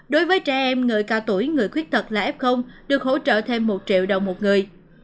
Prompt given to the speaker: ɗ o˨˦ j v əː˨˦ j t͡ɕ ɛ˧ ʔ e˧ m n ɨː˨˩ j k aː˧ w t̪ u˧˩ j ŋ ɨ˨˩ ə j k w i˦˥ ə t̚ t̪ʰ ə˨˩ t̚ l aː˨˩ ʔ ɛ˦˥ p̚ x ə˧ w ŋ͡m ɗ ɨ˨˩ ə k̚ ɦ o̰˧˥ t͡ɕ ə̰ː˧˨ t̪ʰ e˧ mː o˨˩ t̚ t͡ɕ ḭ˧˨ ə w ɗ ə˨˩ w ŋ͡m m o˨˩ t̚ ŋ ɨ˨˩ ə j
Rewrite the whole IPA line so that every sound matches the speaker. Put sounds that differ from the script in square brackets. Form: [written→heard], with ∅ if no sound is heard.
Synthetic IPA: ɗ o˨˦ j v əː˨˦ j t͡ɕ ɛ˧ ʔ [e˧→ɛ˧] m [n→ŋ] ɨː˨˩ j k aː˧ w t̪ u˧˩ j ŋ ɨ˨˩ ə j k w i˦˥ ə t̚ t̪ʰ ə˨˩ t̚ l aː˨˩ ʔ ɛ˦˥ p̚ x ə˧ w ŋ͡m ɗ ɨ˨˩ ə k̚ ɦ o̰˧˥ t͡ɕ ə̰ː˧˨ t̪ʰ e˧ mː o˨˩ t̚ t͡ɕ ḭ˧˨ ə w ɗ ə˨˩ w ŋ͡m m o˨˩ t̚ ŋ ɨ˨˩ ə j